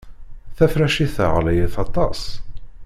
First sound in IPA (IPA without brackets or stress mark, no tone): θ